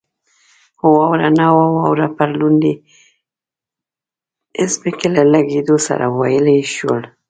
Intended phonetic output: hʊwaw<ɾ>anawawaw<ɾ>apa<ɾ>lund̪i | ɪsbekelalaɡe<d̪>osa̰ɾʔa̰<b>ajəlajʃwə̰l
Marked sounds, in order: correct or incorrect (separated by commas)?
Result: correct, correct, correct, correct, incorrect